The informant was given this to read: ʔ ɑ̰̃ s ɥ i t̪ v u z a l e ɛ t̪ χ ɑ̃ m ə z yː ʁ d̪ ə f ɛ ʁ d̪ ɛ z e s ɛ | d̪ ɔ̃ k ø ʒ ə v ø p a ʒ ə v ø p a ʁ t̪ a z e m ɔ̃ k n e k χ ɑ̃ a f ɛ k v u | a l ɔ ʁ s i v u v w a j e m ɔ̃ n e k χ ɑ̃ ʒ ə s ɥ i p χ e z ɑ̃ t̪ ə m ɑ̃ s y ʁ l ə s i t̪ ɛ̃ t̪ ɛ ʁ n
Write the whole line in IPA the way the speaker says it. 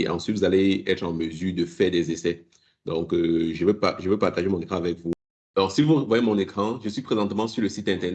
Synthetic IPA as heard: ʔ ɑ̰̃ s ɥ i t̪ v u z a l e ɛ t̪ χ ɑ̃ m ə z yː ʁ d̪ ə f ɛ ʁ d̪ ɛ z e s ɛ | d̪ ɔ̃ k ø ʒ ə v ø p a ʒ ə v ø p a ʁ t̪ a ʒ e m ɔ̃ n e k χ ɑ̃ a v ɛ k v u | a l ɔ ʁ s i v u v w a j e m ɔ̃ n e k χ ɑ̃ ʒ ə s ɥ i p χ e z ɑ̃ t̪ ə m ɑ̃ s y ʁ l ə s i t̪ ɛ̃ t̪ ɛ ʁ n